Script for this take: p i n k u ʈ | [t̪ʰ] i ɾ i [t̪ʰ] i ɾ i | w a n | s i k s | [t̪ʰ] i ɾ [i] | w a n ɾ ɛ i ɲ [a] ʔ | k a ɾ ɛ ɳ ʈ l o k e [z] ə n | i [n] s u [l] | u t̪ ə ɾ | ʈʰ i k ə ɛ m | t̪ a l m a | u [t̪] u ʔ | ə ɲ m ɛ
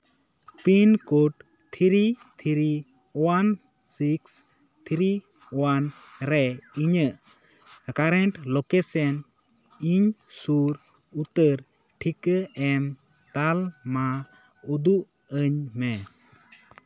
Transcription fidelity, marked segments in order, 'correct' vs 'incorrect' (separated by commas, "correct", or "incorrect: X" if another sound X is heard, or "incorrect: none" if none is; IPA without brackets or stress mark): correct, correct, correct, correct, incorrect: ə, incorrect: s, incorrect: ɲ, incorrect: ɾ, incorrect: d̪